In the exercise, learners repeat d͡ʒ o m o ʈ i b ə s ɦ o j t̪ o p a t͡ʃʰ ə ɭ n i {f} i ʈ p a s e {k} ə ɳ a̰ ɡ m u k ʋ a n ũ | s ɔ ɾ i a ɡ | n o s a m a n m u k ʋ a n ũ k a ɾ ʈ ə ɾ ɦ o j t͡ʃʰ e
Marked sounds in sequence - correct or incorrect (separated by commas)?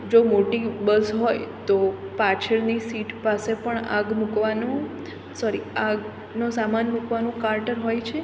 incorrect, incorrect